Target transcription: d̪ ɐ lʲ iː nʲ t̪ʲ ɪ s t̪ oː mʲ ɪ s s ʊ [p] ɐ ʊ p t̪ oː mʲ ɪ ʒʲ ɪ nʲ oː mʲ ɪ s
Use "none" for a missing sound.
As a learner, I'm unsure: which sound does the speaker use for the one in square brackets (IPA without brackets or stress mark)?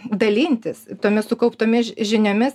k